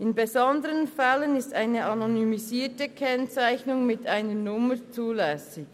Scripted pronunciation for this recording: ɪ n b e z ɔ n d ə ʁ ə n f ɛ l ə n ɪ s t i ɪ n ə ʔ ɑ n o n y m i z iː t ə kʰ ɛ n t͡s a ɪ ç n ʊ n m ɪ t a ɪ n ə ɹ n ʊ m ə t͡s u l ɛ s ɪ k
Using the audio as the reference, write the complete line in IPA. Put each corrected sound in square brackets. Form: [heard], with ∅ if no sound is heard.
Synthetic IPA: ɪ n b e z ɔ n d ə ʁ ə n f ɛ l ə n ɪ s t [a] ɪ n ə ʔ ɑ n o n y m i z iː t ə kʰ ɛ n t͡s a ɪ ç n ʊ [ŋ] m ɪ t a ɪ n ə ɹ n ʊ m ə t͡s [uː] l ɛ s ɪ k